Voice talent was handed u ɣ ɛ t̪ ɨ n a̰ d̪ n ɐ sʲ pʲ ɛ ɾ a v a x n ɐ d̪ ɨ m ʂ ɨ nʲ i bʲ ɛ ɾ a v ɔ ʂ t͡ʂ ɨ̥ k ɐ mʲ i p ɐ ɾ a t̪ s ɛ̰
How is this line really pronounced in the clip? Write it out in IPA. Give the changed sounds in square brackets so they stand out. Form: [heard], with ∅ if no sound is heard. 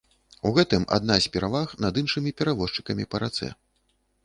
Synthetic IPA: u ɣ ɛ t̪ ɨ [m] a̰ d̪ n [a] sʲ pʲ ɛ ɾ a v a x n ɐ d̪ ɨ [n] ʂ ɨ [mʲ] i [pʲ] ɛ ɾ a v ɔ ʂ t͡ʂ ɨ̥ k ɐ mʲ i p ɐ ɾ a t̪ s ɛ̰